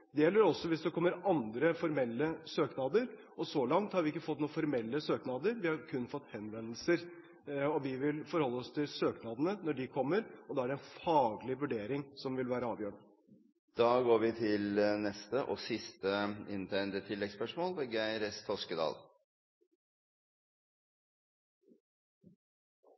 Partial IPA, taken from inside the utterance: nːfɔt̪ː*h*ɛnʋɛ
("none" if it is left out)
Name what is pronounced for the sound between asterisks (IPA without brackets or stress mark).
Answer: h